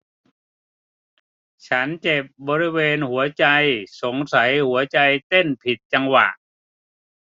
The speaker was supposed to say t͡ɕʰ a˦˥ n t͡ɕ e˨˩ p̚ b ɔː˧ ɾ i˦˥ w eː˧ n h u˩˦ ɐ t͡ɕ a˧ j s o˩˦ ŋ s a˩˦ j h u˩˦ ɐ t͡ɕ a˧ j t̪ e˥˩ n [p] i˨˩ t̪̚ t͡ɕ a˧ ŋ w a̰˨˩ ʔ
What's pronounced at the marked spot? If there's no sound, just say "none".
pʰ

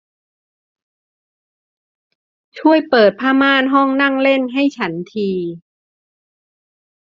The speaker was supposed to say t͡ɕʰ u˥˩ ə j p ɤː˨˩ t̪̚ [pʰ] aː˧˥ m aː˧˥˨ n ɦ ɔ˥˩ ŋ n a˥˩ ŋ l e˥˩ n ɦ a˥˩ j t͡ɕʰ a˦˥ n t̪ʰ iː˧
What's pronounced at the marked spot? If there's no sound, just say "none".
pʰ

